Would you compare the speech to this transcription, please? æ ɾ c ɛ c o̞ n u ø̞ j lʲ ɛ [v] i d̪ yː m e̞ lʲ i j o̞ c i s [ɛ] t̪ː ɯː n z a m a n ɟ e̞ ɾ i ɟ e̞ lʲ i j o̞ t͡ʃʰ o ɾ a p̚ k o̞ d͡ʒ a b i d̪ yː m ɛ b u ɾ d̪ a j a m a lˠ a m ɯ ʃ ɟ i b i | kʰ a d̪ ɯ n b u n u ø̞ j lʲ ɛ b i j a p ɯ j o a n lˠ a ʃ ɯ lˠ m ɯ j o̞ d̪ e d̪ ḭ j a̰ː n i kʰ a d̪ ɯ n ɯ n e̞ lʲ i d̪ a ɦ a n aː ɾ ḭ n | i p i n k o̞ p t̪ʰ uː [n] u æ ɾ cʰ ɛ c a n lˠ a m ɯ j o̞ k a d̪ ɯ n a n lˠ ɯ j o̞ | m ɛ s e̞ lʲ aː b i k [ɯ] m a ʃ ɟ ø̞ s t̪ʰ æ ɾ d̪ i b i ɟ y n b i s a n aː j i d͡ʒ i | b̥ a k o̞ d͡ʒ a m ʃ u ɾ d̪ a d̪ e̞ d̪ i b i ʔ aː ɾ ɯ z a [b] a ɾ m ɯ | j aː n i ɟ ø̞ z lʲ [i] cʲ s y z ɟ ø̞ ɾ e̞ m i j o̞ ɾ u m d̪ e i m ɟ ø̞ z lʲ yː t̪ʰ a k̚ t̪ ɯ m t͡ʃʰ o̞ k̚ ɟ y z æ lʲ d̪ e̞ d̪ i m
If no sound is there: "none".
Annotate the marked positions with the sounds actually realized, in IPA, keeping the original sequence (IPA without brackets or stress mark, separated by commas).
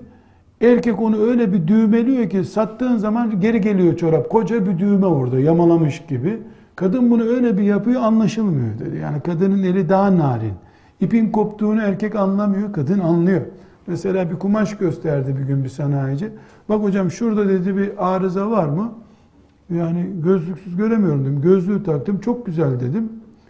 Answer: b, a, n, u, v, y